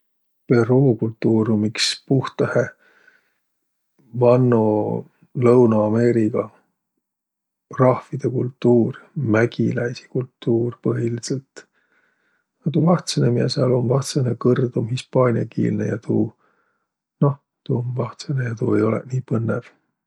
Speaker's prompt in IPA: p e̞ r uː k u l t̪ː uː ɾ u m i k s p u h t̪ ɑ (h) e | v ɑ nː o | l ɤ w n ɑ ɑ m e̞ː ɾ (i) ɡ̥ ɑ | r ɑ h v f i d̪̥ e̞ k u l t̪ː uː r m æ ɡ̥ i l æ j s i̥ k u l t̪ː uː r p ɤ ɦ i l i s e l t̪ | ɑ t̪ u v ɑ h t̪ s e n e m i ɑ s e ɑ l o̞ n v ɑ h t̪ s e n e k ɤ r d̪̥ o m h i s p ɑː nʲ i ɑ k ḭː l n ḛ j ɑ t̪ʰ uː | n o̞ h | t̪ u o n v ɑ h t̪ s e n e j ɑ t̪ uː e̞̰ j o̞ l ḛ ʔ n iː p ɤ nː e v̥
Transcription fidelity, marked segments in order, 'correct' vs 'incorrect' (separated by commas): correct, correct